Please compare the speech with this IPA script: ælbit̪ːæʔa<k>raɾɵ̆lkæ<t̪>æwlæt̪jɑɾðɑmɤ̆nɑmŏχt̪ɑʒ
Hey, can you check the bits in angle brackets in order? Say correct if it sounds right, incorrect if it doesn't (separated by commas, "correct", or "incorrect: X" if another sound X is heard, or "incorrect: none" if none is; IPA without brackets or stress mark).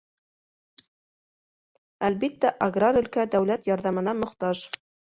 incorrect: ɡ, incorrect: d̪